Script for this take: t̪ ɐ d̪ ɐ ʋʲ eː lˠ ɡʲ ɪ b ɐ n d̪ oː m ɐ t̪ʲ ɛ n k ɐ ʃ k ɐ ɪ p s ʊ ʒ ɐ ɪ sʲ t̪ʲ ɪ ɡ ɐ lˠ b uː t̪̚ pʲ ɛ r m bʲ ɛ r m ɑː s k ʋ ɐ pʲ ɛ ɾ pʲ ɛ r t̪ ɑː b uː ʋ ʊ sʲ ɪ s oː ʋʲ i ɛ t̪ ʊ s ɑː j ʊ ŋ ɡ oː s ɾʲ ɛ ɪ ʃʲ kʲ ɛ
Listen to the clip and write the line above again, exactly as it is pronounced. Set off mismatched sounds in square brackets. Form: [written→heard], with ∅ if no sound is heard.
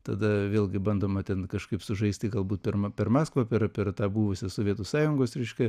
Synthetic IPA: t̪ ɐ d̪ ɐ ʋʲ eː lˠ ɡʲ ɪ b ɐ n d̪ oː m ɐ t̪ʲ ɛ n k ɐ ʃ k ɐ ɪ p s ʊ ʒ ɐ ɪ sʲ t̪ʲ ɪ ɡ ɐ lˠ b uː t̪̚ pʲ ɛ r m [bʲ→pʲ] ɛ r m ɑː s k ʋ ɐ pʲ ɛ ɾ pʲ ɛ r t̪ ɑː b uː ʋ ʊ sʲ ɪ s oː ʋʲ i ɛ t̪ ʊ s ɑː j ʊ ŋ ɡ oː s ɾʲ ɛ ɪ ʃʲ kʲ ɛ